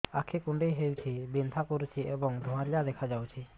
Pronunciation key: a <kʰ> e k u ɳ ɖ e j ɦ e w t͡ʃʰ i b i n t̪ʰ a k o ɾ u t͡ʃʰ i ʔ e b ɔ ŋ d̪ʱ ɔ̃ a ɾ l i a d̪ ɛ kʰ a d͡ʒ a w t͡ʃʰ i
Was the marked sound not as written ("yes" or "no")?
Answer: no